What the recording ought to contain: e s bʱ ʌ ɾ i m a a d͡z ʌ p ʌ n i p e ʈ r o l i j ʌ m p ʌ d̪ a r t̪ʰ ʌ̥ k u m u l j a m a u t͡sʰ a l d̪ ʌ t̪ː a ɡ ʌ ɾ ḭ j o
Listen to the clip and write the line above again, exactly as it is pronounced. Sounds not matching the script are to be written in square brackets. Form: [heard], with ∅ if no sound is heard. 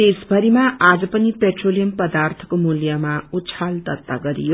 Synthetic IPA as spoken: e s bʱ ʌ ɾ i m a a d͡z ʌ p ʌ n i p e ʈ r o l i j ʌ m p ʌ d̪ a r t̪ʰ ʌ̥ k [o] m u l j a m a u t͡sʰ a l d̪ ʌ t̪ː a ɡ ʌ ɾ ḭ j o